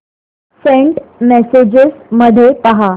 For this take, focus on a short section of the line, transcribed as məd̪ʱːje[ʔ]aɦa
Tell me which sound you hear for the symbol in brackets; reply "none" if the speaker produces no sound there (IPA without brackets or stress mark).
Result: p